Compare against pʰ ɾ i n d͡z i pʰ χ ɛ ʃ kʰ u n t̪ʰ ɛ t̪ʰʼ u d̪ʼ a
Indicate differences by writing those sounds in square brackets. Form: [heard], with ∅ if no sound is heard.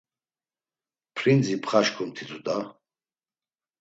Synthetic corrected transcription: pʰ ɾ i n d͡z i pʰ χ [a] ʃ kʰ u [m] t̪ʰ [i] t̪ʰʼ u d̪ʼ a

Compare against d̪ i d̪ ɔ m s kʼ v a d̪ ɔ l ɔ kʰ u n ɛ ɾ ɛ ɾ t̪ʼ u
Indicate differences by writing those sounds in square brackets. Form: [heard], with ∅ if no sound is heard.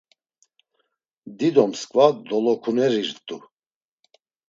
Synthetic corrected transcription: d̪ i d̪ ɔ m s kʼ v a d̪ ɔ l ɔ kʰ u n ɛ ɾ [i] ɾ t̪ʼ u

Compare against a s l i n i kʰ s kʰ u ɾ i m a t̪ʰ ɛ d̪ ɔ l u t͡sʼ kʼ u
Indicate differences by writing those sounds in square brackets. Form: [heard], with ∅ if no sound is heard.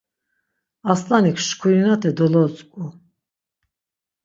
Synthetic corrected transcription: a s l [a] n i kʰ [ʃ] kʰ u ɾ i [n] a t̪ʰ ɛ d̪ ɔ l [ɔ] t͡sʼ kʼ u

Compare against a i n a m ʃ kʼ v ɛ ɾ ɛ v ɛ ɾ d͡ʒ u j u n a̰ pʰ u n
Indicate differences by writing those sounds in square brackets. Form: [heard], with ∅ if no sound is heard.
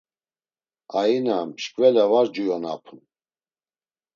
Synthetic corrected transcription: a i n a m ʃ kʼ v ɛ [l] ɛ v [a] ɾ d͡ʒ u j [ɔ] n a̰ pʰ u n

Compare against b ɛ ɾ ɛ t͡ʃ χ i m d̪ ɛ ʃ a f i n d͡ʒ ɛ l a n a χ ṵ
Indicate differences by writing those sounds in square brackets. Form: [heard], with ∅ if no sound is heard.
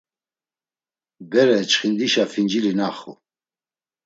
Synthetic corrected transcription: b ɛ ɾ ɛ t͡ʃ χ i [n] d̪ [i] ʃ a f i n d͡ʒ [i] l [i] n a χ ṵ

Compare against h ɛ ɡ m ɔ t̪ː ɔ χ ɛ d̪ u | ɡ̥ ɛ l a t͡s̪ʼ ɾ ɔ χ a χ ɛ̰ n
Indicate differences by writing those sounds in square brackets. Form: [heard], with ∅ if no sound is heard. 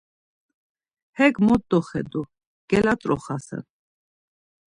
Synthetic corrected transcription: h ɛ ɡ m ɔ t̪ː ɔ χ ɛ d̪ u | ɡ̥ ɛ l a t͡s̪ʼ ɾ ɔ χ a [s] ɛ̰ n

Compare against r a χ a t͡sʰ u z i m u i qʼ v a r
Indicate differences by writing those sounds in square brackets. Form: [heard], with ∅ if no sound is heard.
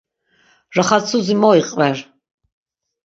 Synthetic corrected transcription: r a χ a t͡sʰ u z i m [ɔ] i qʼ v [ɛ] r

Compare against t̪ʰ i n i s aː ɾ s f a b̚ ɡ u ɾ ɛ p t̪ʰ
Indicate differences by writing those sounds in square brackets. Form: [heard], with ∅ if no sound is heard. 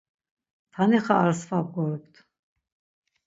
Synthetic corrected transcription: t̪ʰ [a] n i [χ] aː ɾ s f a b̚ ɡ [ɔ] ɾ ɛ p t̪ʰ

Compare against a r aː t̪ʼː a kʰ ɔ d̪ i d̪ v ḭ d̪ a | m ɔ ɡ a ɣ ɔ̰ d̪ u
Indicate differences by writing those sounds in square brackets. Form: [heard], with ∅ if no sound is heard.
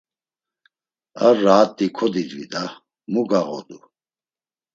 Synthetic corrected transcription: a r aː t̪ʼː [i] kʰ ɔ d̪ i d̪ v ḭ d̪ a | m [u] ɡ a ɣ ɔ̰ d̪ u

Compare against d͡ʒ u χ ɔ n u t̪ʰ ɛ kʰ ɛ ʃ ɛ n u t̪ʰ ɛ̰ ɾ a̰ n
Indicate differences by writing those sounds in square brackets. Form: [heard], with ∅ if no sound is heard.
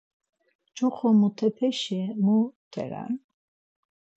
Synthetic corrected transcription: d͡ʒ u χ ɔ [m] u t̪ʰ ɛ [pʰ] ɛ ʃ ɛ [m] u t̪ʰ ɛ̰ ɾ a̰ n

